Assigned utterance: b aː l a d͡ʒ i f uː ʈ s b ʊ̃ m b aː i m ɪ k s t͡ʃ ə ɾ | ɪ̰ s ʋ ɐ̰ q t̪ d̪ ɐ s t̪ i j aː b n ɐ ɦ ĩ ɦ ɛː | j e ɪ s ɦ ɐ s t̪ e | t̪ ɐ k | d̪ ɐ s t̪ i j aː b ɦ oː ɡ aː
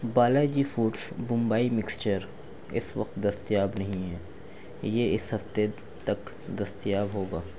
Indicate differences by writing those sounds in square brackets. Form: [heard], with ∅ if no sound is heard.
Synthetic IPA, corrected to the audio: b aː l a d͡ʒ i f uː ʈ s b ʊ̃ m b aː i m ɪ k s t͡ʃ ə ɾ | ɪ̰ s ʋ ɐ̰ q t̪ d̪ ɐ s t̪ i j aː b n ɐ ɦ ĩ ɦ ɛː | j e ɪ s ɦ ɐ [f] t̪ e | t̪ ɐ k | d̪ ɐ s t̪ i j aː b ɦ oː ɡ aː